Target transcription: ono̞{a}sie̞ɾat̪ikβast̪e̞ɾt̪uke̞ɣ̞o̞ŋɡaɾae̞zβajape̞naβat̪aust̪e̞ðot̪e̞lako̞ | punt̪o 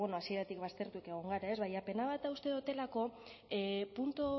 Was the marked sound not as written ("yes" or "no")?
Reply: no